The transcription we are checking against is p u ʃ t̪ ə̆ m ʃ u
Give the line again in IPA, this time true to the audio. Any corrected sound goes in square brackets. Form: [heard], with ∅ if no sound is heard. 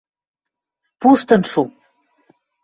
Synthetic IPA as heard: p u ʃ t̪ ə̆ [n] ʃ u